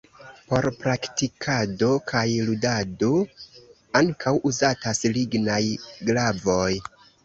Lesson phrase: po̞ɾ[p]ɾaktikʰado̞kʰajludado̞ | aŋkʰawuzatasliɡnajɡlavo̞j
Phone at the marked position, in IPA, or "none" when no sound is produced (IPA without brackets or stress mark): p